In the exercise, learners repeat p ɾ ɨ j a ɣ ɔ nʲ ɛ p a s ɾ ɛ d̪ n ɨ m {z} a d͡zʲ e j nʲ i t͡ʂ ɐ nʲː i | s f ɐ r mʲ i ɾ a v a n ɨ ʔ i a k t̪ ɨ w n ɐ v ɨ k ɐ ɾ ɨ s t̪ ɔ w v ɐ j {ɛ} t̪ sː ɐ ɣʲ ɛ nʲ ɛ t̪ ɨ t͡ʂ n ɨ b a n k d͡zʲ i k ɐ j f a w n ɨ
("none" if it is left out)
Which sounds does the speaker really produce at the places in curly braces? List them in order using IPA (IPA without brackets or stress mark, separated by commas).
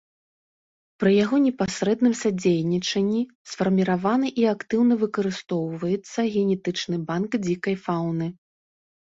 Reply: s, ɛ